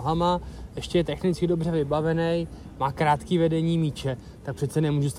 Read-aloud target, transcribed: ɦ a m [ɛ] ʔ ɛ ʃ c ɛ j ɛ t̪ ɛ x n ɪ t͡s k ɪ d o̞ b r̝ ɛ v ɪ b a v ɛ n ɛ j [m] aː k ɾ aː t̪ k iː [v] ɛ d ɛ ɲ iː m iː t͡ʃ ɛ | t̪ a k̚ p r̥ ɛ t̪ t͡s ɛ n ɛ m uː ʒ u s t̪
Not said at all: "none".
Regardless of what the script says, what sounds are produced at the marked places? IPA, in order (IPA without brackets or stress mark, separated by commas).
a, m, v